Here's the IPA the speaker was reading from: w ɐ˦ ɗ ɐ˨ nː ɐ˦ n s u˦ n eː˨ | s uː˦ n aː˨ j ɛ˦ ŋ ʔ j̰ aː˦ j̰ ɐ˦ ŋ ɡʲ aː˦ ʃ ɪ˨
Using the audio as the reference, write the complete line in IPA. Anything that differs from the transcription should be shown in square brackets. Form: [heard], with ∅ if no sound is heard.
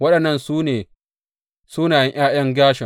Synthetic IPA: w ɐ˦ ɗ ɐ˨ nː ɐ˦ n s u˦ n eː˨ | s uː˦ n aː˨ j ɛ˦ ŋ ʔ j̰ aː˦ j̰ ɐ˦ ŋ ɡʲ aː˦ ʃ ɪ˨